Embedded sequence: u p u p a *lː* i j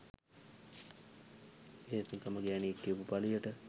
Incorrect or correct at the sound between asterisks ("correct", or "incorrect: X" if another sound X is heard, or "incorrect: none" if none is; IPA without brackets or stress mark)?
incorrect: l